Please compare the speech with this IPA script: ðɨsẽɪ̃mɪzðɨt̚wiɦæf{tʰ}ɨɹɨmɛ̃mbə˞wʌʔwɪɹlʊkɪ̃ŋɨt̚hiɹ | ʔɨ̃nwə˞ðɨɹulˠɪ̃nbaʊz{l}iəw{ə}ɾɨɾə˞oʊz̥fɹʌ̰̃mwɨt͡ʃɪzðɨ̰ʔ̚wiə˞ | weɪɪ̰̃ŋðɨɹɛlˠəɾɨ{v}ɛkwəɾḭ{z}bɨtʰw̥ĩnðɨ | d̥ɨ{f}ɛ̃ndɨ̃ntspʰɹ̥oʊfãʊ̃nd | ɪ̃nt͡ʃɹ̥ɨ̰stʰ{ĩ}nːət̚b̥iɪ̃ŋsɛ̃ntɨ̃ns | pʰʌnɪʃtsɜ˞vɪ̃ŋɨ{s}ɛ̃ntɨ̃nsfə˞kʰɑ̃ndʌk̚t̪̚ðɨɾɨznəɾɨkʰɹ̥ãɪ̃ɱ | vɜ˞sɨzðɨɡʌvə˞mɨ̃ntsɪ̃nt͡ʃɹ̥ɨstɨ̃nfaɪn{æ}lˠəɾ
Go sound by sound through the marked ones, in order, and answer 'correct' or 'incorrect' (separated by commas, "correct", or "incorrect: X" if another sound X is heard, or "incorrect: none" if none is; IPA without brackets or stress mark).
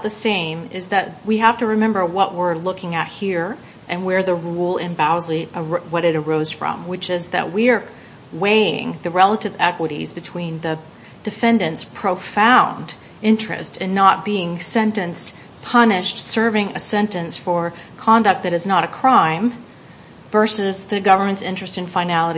incorrect: t, correct, incorrect: ʌ, correct, correct, correct, incorrect: ɨ̃, correct, correct